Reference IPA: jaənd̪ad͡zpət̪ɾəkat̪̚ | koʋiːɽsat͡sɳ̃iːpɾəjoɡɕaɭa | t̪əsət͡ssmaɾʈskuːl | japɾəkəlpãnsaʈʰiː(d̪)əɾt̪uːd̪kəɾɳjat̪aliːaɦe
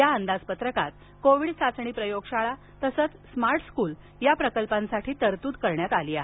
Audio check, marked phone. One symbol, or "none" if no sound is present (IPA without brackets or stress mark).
t̪